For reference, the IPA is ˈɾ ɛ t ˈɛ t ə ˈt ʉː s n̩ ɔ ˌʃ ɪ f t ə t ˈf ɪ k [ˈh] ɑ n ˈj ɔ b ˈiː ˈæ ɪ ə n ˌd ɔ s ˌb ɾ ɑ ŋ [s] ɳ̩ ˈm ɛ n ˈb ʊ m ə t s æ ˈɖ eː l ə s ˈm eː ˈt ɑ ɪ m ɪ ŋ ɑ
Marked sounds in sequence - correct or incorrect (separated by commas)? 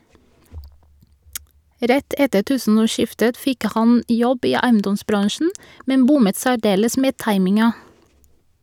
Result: correct, incorrect